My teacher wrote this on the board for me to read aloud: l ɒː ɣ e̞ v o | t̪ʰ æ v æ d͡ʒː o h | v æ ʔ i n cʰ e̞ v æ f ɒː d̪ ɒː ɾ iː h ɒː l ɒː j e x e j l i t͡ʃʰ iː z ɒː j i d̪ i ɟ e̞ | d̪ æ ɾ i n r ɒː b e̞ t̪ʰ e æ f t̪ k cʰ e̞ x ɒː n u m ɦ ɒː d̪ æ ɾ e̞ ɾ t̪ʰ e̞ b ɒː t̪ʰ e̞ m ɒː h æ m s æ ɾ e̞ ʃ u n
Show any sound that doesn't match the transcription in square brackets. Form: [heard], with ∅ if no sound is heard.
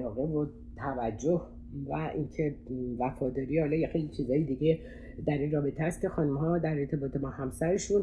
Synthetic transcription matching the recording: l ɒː ɣ e̞ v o | t̪ʰ æ v æ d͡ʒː o h | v æ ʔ i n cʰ e̞ v æ f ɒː d̪ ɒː ɾ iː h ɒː l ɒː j e x e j l i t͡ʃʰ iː z ɒː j i d̪ i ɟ e̞ | d̪ æ ɾ i n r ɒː b e̞ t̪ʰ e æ [s] t̪ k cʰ e̞ x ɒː n u m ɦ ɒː d̪ æ ɾ e̞ ɾ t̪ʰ e̞ b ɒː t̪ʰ e̞ m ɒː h æ m s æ ɾ e̞ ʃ u n